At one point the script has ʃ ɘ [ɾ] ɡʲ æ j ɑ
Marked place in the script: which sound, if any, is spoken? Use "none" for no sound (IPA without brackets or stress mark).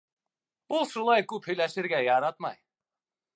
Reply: ɾ